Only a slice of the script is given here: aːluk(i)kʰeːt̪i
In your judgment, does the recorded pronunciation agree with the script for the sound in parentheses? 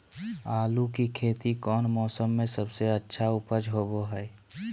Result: yes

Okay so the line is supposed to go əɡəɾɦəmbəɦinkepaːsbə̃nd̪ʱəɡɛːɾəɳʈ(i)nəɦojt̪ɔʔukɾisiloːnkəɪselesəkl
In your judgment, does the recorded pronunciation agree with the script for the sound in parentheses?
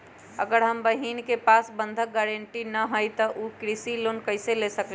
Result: yes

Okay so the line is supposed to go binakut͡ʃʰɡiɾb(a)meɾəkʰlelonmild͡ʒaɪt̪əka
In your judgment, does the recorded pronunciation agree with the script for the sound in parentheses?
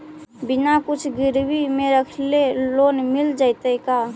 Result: no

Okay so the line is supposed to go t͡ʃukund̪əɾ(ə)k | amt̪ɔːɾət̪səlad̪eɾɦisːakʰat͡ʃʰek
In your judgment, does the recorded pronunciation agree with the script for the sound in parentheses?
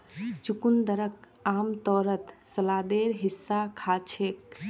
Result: yes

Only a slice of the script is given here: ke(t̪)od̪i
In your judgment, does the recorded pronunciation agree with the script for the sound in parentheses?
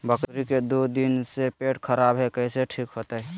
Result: no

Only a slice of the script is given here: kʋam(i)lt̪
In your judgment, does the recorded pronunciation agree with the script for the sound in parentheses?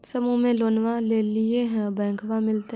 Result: no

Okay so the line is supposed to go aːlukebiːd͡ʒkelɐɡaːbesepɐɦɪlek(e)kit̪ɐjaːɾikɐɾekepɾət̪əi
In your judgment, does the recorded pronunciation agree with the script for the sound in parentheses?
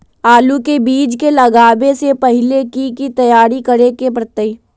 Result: no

